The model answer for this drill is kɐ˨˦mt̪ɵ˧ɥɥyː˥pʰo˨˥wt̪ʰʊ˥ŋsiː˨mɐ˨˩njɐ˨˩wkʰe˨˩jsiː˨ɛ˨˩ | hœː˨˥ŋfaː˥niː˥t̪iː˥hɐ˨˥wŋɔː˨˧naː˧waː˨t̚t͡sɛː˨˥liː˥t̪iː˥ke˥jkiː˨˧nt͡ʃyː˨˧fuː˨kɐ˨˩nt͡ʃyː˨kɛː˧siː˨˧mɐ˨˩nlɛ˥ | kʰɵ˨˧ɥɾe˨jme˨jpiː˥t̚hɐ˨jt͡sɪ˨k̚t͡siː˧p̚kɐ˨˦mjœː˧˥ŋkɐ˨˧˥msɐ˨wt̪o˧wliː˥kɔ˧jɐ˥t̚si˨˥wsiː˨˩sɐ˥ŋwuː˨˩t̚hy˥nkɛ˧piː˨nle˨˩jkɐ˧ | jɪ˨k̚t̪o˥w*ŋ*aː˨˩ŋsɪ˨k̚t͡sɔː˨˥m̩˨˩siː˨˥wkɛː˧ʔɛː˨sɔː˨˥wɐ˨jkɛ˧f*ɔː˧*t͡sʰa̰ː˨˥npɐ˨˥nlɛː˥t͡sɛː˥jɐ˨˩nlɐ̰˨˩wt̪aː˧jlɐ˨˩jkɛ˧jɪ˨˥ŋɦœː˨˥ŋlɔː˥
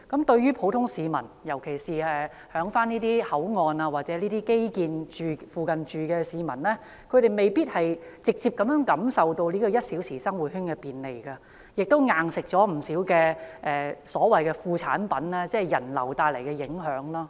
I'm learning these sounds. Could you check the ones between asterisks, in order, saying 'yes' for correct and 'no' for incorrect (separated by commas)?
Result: yes, no